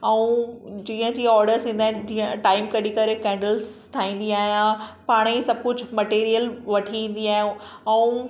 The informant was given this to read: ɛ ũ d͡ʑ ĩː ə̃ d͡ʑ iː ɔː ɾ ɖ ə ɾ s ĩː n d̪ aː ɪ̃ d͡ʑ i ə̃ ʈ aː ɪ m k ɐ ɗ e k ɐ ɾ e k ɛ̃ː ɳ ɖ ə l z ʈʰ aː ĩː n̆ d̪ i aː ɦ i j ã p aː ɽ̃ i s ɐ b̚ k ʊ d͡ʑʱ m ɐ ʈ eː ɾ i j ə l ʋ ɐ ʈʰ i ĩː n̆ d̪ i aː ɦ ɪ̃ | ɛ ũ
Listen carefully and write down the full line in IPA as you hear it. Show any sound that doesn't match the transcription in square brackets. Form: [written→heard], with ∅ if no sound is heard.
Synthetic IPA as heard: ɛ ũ d͡ʑ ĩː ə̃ d͡ʑ iː ɔː ɾ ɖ ə ɾ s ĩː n d̪ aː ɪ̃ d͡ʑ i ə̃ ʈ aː ɪ m k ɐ ɗ [e→i] k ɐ ɾ e k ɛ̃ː ɳ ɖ ə l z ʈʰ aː ĩː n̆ d̪ i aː ɦ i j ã p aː ɽ̃ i s ɐ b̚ k ʊ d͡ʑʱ m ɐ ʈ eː ɾ i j ə l ʋ ɐ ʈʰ i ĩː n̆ d̪ i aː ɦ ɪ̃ | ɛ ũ